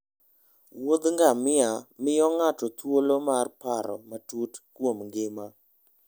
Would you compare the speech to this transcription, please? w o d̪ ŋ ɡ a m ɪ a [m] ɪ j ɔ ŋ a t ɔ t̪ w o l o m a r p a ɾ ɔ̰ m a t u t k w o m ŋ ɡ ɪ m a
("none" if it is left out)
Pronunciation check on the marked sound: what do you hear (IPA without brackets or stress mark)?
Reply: m